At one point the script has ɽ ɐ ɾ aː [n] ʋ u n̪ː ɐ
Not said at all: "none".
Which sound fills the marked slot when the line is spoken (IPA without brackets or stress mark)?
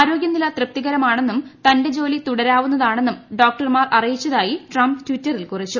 none